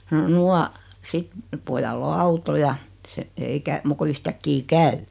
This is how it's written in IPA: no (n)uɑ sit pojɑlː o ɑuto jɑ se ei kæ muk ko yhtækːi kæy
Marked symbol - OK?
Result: yes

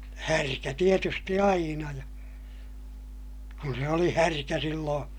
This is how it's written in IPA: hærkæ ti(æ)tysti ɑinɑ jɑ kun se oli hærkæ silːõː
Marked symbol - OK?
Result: no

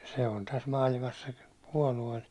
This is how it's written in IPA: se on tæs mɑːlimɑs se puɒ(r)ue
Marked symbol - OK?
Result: no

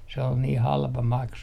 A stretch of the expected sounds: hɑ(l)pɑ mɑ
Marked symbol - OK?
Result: yes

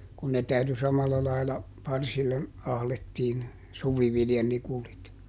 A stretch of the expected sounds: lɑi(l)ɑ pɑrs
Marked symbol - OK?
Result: yes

